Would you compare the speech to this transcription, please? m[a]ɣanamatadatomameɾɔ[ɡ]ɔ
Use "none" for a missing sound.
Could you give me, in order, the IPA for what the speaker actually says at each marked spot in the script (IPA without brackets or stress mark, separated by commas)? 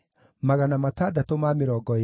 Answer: a, ɡ